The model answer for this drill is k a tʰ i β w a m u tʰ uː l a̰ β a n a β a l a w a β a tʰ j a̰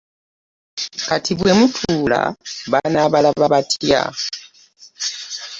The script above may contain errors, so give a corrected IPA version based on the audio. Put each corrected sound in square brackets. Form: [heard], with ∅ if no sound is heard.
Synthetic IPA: k a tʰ i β w [e] m u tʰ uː l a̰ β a n a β a l a [β] a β a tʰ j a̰

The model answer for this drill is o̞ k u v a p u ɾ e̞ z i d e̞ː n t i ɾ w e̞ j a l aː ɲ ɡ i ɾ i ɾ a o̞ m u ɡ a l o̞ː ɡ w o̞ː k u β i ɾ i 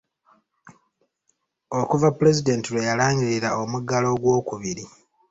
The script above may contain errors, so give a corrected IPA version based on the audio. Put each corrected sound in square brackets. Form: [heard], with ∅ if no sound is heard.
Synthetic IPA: o̞ k u v a p u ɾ e̞ z i d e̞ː n t i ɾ w e̞ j a l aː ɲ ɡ i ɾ i ɾ a o̞ m u ɡ a l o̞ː ɡ w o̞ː k u β i ɾ i

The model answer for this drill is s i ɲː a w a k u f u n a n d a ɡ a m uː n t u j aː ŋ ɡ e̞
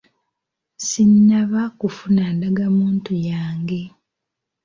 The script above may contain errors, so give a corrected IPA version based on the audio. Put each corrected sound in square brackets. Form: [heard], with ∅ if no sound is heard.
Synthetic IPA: s i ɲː a [β] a k u f u n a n d a ɡ a m uː n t u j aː ŋ ɡ e̞

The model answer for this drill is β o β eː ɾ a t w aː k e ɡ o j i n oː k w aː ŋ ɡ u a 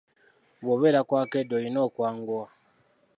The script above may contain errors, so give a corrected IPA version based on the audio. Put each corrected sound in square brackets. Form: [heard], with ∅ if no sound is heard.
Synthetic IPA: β o β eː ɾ a [k] w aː k e [d] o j i n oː k w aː ŋ ɡ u a

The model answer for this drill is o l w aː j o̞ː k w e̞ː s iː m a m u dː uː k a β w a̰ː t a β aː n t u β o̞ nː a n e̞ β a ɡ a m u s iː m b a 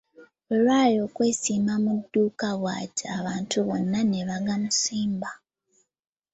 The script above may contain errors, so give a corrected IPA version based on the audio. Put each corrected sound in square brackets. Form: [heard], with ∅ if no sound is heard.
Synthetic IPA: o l w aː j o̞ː k w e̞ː s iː m a m u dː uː k a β w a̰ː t a β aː n t u β o̞ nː a n e̞ β a ɡ a m u s iː m b a

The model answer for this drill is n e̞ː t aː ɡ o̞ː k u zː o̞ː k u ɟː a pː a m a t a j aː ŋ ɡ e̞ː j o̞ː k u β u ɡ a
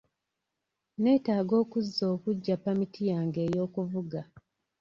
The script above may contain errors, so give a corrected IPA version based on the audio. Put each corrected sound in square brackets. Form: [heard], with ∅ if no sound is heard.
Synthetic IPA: n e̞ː t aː ɡ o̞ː k u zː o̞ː k u ɟː a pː a m [i] t [i] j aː ŋ ɡ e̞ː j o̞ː k u [v] u ɡ a

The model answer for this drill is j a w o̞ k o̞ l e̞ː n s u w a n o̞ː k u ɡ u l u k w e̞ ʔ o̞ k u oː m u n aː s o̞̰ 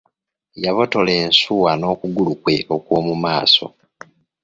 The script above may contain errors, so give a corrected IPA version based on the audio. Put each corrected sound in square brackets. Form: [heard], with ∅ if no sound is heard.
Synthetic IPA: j a [β] o̞ [t] o̞ l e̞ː n s u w a n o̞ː k u ɡ u l u k w e̞ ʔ o̞ k [w] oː m u [m] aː s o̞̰

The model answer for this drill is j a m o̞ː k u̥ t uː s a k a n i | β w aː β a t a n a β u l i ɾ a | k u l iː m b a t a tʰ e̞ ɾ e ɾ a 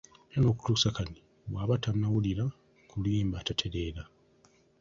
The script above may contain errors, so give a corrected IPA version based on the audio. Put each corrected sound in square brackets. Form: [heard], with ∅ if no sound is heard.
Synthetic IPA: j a [n] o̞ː k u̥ t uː s a k a n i | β w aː β a t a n a [w] u l i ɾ a | k u l iː m b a t a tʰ e̞ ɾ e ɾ a

